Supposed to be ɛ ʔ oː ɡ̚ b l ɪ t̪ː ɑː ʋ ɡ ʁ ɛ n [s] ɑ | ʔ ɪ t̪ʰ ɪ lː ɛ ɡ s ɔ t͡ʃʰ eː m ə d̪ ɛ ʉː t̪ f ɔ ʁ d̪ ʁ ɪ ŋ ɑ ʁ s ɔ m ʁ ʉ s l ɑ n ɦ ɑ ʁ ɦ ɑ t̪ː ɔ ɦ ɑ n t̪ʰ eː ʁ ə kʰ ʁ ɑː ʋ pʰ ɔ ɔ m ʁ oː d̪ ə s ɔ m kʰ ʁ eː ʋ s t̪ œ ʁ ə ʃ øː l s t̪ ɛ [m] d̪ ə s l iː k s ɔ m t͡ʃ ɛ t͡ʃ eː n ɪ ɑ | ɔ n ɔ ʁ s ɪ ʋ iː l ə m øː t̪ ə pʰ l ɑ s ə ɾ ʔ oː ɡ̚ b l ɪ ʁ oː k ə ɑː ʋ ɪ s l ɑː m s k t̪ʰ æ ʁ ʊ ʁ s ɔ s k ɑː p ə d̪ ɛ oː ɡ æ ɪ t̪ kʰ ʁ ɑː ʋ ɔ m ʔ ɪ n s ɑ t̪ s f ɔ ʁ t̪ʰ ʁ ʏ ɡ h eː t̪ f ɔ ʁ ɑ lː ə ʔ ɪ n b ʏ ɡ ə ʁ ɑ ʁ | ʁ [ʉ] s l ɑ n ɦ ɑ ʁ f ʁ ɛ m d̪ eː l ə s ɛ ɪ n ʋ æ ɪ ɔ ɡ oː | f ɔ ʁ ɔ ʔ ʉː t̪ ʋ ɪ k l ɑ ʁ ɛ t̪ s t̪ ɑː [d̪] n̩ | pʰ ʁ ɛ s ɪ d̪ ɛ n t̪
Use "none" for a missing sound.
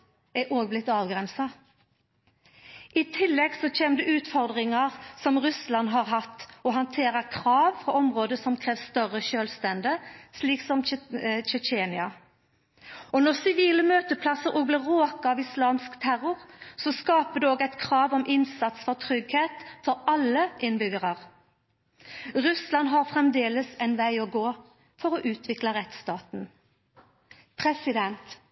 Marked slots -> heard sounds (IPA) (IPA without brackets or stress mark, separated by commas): s, n, ʉ, t̪